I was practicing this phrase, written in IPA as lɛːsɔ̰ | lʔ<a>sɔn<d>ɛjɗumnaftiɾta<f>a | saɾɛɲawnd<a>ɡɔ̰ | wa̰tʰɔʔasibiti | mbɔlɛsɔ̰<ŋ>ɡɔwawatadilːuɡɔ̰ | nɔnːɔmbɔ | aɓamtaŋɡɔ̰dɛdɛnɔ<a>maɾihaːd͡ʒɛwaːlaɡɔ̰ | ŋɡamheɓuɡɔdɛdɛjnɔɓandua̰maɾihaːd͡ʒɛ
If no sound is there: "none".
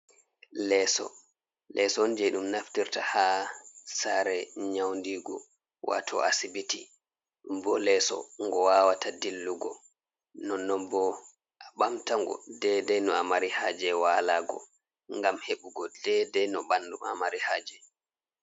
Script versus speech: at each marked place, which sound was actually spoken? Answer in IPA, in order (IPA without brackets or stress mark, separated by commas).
ɛ, d͡ʒ, h, i, ŋ, a